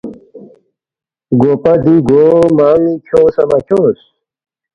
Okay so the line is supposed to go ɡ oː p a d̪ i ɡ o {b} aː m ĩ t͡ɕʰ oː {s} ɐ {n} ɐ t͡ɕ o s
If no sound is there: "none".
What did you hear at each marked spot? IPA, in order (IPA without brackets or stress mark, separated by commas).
m, s, m